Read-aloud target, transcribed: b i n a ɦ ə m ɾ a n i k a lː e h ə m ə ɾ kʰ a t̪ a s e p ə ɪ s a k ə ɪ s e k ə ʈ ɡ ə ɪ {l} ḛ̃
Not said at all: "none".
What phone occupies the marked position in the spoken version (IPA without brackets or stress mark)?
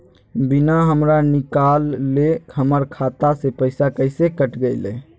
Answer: l